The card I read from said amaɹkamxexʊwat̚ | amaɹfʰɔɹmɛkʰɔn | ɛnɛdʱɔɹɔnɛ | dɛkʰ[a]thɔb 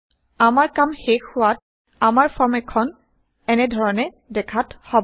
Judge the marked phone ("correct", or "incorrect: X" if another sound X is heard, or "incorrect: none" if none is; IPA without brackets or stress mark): correct